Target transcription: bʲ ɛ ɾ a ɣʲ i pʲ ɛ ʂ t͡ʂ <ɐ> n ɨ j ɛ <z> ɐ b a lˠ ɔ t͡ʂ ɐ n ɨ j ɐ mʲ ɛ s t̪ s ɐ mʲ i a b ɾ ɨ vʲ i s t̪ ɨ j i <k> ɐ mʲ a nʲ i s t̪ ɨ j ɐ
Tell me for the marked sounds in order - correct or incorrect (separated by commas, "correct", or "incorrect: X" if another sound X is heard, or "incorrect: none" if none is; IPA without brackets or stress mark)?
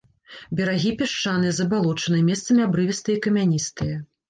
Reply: incorrect: a, correct, correct